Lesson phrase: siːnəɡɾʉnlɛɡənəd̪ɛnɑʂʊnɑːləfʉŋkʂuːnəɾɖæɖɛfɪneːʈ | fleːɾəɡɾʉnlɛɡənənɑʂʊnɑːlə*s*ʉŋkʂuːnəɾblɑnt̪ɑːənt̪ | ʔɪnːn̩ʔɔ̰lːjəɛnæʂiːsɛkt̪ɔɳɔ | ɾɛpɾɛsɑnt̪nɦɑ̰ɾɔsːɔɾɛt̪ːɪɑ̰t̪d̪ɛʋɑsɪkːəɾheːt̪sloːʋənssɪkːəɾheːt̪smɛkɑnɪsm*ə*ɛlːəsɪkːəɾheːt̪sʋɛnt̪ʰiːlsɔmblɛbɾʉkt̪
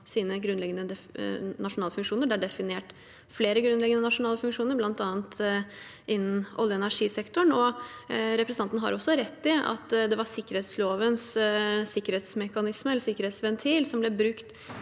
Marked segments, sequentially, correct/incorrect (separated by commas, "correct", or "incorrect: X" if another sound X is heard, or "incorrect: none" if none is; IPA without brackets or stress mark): incorrect: f, correct